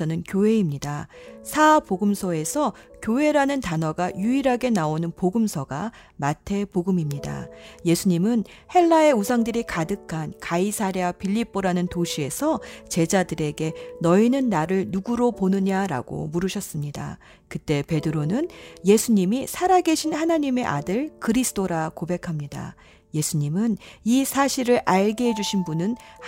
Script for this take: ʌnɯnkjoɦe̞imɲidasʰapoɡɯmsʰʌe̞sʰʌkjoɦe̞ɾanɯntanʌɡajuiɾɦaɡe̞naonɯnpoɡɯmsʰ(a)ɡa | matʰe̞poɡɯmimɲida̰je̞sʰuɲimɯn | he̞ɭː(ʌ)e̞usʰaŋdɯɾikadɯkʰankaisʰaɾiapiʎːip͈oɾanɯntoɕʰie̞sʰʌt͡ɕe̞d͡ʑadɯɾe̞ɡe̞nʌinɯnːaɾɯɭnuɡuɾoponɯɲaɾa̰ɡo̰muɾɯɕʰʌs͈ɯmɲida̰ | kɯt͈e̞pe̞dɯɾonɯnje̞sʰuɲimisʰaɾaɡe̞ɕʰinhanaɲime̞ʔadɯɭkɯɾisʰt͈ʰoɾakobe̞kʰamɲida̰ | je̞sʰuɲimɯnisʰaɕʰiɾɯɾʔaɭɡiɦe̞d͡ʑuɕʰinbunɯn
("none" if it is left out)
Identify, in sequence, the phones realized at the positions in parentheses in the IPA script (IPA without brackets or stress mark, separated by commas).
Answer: ʌ, a